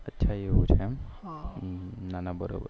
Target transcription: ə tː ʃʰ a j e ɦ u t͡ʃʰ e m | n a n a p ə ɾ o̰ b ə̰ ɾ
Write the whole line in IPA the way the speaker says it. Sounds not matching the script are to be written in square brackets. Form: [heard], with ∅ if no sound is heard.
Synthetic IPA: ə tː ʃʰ a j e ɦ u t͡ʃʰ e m | n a n a [b] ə ɾ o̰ b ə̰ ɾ